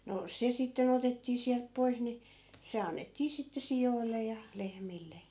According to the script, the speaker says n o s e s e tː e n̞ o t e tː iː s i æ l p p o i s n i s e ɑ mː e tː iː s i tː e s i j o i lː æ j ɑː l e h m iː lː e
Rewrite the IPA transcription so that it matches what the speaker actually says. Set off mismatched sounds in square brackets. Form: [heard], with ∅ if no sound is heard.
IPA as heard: n o s e s [i] tː e n̞ o t e tː iː s i æ l p p o i s n i s e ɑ [nː] e tː iː s i tː e s i j o i lː [e] j [ɑ] l e h m [i] lː e

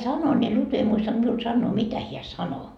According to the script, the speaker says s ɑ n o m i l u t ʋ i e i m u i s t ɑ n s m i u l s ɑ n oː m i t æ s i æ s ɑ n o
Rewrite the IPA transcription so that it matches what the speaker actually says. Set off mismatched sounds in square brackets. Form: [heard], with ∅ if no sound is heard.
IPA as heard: s ɑ n o [n] i l u t ʋ i e i m u i s t ɑ n [t] m i u l s ɑ [nː] oː m i t æ [h] i æ s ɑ n o

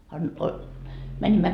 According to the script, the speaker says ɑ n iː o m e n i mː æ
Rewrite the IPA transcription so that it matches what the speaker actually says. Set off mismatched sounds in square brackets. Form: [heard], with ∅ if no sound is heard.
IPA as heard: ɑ n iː o m [æ] n i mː æ

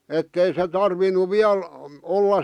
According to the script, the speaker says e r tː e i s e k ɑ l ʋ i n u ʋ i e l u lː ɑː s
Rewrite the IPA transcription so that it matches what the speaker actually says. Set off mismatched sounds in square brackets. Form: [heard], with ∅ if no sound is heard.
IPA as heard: e [∅] tː e i s e [t] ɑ [r] ʋ i n u ʋ i [æ] l [o] lː [ɑ] s

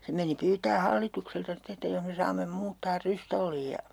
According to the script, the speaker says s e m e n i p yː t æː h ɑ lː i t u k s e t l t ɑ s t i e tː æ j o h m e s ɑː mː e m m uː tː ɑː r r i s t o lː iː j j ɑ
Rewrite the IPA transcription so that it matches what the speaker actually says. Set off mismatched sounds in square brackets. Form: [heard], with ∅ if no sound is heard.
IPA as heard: s e m e n i p yː t æː h ɑ lː i t u k s e [∅] l t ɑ s t [e] e tː æ j o h m e s ɑː mː e m m uː tː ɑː r r [y] s t o lː iː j j ɑ

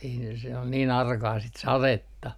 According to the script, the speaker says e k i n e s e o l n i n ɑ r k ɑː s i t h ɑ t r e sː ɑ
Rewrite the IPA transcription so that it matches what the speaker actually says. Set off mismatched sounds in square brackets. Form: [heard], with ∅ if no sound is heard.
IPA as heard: e [∅] i n e s e o l n [iː] n ɑ r k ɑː s i t [s] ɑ [∅] r e [tː] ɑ

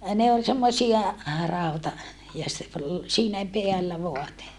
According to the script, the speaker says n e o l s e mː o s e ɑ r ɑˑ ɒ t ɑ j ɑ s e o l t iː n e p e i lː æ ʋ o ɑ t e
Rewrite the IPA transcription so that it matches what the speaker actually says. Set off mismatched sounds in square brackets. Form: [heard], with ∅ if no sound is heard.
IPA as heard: n e o l s e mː o s [i] ɑ r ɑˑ [u] t ɑ j ɑ s e o l [s] iː n [æ] p e [æ] lː æ ʋ o ɑ t e

